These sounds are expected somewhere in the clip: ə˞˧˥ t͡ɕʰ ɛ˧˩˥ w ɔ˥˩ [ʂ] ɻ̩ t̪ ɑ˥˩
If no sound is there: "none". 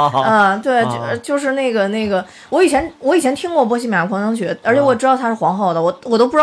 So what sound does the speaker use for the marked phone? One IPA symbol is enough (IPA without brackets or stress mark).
ʈ͡ʂ